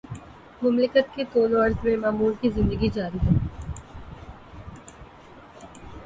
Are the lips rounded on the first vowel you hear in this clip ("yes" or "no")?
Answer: yes